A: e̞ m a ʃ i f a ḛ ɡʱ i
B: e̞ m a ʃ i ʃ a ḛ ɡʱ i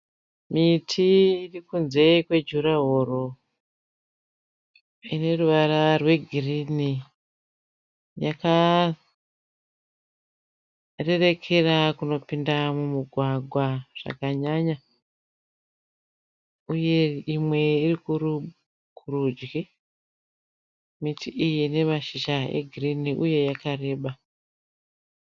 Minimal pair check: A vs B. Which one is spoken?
B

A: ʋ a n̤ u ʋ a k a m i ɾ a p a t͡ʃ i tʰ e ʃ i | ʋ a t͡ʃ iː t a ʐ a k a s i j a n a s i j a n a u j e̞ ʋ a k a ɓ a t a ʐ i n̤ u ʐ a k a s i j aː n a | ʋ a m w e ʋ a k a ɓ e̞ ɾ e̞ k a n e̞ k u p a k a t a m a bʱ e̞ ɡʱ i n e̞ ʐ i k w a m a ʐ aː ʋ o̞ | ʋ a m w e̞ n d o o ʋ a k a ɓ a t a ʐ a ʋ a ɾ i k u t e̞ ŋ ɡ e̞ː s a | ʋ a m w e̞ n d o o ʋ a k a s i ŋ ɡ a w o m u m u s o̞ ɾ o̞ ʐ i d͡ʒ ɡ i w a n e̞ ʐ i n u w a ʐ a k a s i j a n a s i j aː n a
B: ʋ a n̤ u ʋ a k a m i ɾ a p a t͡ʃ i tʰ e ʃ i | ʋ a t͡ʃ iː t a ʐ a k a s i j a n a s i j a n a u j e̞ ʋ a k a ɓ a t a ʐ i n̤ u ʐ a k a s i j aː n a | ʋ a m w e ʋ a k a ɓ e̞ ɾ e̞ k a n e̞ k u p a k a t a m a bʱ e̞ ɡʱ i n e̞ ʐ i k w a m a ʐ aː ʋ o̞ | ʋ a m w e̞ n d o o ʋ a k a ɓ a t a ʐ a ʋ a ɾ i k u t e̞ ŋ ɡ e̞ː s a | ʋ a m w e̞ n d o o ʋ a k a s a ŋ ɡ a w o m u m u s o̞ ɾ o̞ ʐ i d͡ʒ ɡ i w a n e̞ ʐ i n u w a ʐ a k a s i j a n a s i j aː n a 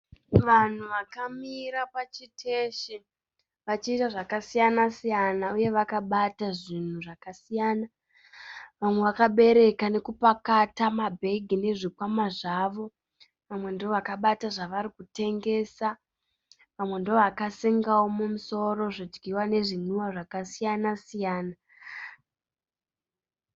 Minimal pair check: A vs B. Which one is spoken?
A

